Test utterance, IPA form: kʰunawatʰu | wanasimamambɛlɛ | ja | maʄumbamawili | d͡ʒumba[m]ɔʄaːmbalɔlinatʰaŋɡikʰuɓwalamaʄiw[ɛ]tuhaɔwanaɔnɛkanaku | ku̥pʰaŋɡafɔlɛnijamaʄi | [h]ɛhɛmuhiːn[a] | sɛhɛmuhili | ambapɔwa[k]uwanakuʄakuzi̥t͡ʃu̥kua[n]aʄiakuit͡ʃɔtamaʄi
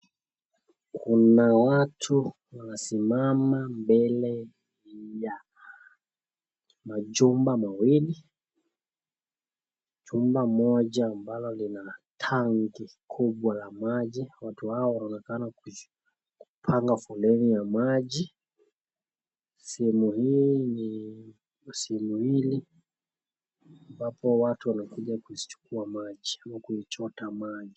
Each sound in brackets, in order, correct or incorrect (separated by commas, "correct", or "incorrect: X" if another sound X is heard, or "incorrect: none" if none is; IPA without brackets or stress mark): correct, incorrect: a, incorrect: s, incorrect: i, incorrect: t, incorrect: m